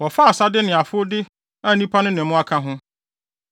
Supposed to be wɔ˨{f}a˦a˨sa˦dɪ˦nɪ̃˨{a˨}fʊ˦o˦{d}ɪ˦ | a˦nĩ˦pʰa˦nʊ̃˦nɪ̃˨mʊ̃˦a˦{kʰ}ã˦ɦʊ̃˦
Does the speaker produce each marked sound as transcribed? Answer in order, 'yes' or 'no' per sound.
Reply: yes, yes, yes, yes

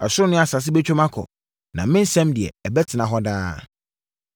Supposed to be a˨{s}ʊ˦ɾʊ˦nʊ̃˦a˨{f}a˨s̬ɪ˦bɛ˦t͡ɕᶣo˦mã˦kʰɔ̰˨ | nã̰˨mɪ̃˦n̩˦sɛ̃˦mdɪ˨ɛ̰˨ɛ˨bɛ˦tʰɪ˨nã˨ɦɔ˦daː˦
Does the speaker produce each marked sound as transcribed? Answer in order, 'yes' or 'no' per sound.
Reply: yes, no

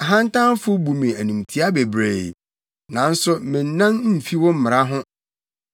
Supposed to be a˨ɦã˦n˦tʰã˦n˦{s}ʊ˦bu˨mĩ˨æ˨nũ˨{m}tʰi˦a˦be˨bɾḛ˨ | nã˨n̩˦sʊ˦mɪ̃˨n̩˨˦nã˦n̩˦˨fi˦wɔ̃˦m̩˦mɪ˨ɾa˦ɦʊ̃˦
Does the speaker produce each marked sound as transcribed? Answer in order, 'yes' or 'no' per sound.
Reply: no, yes

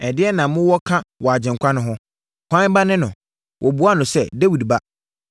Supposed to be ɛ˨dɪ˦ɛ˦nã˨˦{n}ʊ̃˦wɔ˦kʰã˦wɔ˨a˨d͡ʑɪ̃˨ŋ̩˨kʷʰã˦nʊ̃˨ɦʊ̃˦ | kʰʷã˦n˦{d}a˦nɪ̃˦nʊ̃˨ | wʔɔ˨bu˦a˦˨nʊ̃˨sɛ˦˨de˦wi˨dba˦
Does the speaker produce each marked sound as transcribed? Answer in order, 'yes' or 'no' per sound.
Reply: no, no

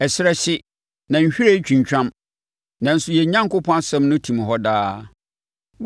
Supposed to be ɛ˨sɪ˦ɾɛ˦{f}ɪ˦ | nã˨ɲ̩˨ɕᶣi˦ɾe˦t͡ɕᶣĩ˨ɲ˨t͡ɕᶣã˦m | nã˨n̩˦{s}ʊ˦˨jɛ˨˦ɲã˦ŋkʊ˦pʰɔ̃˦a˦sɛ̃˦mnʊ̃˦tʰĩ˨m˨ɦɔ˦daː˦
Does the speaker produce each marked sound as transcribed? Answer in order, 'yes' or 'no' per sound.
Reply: no, yes

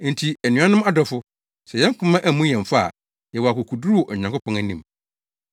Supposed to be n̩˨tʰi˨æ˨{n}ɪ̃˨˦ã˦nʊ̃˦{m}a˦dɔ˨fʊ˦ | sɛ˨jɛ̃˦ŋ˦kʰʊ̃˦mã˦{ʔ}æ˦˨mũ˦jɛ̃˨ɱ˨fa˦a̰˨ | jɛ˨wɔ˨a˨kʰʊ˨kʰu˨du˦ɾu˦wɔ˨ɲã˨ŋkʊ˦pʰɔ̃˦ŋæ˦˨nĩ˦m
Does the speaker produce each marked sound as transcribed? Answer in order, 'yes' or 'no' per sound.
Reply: yes, yes, yes

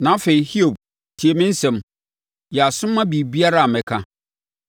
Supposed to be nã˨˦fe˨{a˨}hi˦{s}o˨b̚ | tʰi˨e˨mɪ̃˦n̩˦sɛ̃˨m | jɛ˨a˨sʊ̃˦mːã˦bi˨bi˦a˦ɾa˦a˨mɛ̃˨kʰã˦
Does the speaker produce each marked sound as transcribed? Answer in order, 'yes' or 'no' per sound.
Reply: no, no

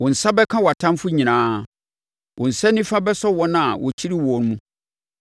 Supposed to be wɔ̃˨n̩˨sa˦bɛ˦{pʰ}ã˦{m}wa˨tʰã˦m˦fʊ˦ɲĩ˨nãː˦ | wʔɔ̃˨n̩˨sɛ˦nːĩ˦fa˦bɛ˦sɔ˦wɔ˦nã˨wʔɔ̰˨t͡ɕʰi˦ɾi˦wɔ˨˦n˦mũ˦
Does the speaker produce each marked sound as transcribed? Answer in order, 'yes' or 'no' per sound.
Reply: no, no

